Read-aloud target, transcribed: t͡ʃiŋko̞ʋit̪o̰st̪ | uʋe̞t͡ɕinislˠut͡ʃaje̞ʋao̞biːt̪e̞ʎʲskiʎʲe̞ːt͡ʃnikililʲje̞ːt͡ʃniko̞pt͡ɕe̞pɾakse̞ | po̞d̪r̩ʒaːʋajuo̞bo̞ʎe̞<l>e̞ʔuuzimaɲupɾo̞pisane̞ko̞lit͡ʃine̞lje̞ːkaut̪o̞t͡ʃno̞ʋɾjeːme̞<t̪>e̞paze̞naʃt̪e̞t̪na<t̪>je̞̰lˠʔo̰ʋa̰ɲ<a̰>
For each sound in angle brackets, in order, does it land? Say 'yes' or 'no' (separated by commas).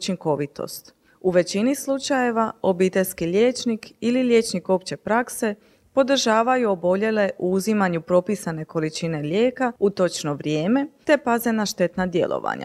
yes, yes, no, yes